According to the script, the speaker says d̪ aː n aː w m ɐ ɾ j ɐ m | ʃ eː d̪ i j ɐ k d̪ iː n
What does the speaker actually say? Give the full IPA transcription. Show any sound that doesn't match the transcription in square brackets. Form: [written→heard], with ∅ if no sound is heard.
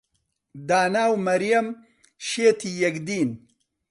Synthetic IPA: d̪ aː n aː w m ɐ ɾ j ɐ m | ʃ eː [d̪→t̪] i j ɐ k d̪ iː n

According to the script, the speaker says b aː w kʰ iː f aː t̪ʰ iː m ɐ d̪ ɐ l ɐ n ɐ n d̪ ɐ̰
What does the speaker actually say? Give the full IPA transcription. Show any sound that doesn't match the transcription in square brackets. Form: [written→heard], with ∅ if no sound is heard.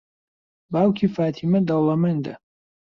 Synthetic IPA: b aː w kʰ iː f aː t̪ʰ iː m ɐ d̪ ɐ l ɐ [n→m] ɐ n d̪ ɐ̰

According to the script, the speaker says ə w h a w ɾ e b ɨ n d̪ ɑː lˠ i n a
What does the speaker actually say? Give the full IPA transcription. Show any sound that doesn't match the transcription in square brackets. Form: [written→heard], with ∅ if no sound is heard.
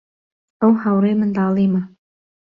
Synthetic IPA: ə w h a w ɾ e [b→m] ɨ n d̪ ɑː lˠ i [n→m] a

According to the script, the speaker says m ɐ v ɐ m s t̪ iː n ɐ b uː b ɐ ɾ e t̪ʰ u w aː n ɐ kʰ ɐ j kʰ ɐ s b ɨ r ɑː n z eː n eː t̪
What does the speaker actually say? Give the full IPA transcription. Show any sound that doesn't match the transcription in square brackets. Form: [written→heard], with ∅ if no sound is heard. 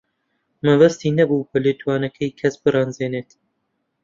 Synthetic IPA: m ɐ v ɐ [m→∅] s t̪ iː n ɐ b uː b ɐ [ɾ→l] e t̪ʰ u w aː n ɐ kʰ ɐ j kʰ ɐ s b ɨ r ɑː n z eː n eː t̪

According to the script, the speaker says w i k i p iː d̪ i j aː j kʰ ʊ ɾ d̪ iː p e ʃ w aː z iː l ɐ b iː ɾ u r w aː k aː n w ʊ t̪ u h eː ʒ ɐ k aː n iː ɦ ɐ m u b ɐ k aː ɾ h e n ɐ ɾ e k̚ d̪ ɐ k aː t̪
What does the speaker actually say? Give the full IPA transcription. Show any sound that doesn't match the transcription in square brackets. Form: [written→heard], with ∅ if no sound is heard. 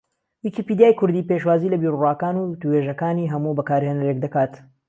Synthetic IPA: w i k i p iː d̪ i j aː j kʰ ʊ ɾ d̪ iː p e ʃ w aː z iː l ɐ b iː ɾ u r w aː k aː n [w→u] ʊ t̪ u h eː ʒ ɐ k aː n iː ɦ ɐ m u b ɐ k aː ɾ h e n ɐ ɾ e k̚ d̪ ɐ k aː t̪

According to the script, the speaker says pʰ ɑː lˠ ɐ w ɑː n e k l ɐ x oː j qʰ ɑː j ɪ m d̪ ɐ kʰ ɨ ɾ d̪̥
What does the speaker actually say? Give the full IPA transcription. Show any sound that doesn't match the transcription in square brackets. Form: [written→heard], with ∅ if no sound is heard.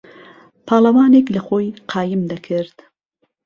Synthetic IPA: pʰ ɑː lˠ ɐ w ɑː n e k l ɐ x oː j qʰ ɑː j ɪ m d̪ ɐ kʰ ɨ ɾ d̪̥

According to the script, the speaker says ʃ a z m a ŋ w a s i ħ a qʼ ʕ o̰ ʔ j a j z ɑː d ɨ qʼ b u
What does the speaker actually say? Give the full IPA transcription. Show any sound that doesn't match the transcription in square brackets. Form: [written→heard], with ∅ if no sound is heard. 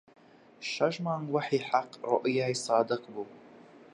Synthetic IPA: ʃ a [z→ʒ] m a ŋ w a [s→ħ] i ħ a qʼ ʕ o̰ ʔ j a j [z→s] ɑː d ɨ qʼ b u

